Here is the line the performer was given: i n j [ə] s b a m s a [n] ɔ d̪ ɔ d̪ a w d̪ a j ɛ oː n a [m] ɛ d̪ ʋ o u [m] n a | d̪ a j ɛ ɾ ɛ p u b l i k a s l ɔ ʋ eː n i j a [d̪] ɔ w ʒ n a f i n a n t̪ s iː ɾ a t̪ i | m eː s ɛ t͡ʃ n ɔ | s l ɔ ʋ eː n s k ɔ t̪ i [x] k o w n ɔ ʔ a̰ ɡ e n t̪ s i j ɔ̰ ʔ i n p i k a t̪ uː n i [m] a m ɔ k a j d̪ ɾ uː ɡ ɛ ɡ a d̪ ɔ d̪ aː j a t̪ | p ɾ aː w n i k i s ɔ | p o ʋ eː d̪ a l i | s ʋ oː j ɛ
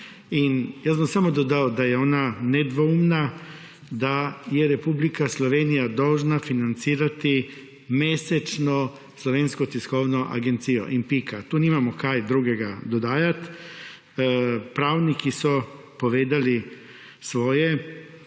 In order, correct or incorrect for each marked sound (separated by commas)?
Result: incorrect, incorrect, incorrect, correct, correct, incorrect, correct